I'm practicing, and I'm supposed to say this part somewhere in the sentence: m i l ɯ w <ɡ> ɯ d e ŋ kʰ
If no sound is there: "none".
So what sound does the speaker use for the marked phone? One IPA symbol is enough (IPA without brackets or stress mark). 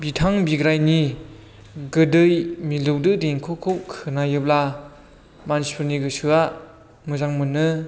d